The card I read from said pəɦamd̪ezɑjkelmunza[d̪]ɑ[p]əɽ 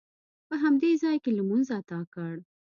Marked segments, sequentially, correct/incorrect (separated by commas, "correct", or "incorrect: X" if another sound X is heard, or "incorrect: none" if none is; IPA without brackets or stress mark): incorrect: t̪, incorrect: k